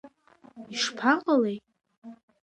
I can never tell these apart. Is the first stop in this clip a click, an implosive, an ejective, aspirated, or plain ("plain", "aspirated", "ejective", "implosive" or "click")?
aspirated